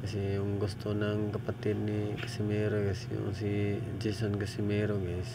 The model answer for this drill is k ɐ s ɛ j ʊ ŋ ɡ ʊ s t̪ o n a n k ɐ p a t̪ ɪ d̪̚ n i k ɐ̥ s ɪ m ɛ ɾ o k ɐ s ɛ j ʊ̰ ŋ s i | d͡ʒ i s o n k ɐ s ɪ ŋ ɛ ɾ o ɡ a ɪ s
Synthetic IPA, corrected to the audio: k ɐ s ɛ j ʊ ŋ ɡ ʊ s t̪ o n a ŋ k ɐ p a t̪ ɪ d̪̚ n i k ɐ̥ s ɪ m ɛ ɾ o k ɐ s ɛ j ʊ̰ ŋ s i | d͡ʒ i s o n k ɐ s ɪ m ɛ ɾ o ɡ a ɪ s